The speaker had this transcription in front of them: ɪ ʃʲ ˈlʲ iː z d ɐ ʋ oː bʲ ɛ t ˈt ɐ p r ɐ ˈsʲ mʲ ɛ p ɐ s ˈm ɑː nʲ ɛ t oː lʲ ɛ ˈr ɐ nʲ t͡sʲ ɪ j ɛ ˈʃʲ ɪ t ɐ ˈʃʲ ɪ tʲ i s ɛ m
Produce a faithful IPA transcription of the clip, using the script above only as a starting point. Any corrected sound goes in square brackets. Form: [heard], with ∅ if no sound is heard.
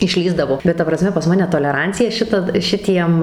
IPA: ɪ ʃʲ ˈlʲ iː z d ɐ ʋ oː bʲ ɛ t ˈt ɐ p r ɐ ˈsʲ mʲ ɛ p ɐ s ˈm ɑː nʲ ɛ t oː lʲ ɛ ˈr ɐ nʲ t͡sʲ ɪ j ɛ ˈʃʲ ɪ t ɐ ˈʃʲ ɪ tʲ i [∅] ɛ m